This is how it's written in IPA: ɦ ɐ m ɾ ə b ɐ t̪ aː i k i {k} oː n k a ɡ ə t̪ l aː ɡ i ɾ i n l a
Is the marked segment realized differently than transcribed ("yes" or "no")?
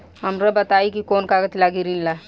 no